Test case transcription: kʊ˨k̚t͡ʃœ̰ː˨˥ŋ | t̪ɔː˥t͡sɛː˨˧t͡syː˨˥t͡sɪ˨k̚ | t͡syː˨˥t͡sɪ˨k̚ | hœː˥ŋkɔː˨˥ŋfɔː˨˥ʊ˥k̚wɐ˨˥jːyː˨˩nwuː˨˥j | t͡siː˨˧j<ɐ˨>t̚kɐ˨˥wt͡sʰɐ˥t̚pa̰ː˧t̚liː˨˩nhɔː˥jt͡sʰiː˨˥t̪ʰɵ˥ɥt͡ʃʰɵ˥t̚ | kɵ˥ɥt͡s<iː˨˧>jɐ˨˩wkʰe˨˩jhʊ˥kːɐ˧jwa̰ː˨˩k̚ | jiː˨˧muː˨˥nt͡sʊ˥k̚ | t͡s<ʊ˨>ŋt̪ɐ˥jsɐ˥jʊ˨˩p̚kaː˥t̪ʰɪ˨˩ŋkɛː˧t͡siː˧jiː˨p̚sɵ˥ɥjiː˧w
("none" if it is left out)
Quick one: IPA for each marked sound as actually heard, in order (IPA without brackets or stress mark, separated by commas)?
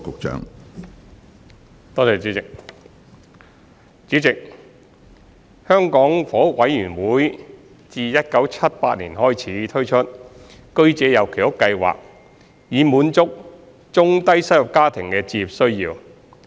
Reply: ɐ˥, ɛː˨˧, ʊ˥